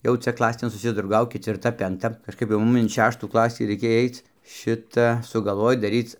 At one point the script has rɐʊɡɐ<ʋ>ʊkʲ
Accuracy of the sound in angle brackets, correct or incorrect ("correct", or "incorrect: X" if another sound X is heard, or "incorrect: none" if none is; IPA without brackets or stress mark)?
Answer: incorrect: none